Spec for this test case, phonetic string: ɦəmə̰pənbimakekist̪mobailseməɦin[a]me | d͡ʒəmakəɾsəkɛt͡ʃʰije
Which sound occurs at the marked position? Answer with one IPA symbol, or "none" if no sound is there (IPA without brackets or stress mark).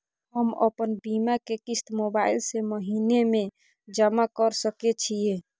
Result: e